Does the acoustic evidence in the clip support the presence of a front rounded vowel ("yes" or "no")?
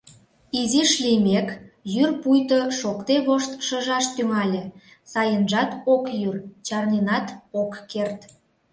yes